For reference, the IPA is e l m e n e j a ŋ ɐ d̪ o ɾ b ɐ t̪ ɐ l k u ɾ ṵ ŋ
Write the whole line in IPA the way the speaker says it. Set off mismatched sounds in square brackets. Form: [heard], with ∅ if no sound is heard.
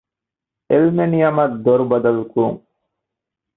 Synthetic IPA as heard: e l m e n [i] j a [m] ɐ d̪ o ɾ b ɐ [d̪] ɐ l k u ɾ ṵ ŋ